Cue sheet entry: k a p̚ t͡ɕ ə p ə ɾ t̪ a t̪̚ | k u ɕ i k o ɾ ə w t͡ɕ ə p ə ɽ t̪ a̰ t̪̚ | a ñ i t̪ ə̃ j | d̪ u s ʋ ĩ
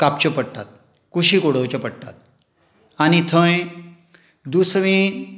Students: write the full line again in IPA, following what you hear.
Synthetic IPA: k a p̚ t͡ɕ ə p ə ɽ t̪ a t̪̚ | k u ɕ i k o ɽ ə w t͡ɕ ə p ə ɽ t̪ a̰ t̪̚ | a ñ i t̪ʰ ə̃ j | d̪ u s ʋ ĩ